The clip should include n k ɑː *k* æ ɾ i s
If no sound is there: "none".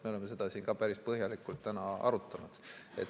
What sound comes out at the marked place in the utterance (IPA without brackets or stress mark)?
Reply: p